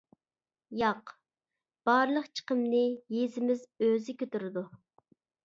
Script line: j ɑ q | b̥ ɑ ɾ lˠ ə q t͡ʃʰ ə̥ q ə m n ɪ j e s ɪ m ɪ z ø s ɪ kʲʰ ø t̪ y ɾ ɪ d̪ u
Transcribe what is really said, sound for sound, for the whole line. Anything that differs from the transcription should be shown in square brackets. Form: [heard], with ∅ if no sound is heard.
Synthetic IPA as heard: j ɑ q | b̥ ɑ ɾ lˠ ə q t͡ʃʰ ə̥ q ə m n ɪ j e [z] ɪ m ɪ z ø [z] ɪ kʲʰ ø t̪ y ɾ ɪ d̪ u